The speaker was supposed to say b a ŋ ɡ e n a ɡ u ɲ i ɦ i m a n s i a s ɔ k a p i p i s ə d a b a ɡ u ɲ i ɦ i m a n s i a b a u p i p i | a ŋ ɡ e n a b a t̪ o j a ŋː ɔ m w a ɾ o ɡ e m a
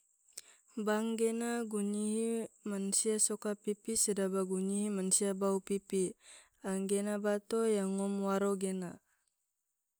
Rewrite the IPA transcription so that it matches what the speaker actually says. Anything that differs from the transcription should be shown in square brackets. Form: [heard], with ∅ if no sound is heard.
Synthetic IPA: b a ŋ ɡ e n a ɡ u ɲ i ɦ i m a n s i a s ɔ k a p i p i s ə d a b a ɡ u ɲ i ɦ i m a n s i a b a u p i p i | a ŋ ɡ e n a b a t̪ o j a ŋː ɔ m w a ɾ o ɡ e [n] a